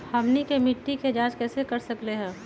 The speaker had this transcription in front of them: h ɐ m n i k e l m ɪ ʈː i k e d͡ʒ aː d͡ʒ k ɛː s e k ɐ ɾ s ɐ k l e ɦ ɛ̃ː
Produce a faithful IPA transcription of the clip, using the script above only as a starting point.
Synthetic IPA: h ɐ m n i k e m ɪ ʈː i k e d͡ʒ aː d͡ʒ k ɛː s e k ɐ ɾ s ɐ k l e ɦ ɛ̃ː